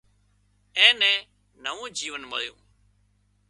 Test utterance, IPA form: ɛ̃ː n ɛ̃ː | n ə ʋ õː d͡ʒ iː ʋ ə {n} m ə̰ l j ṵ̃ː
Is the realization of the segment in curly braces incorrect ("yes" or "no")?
no